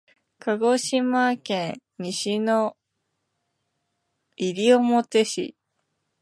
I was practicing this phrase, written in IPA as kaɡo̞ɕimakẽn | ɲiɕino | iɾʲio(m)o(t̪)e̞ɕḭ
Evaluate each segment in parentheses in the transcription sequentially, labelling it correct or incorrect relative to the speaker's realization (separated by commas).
correct, correct